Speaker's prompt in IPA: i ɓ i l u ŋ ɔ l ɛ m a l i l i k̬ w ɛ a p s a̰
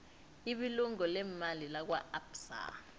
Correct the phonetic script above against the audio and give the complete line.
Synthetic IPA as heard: i ɓ i l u ŋ ɔ l ɛ m a l i l a k̬ w a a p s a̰